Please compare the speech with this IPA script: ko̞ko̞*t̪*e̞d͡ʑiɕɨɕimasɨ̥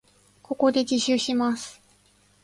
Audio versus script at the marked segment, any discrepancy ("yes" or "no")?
yes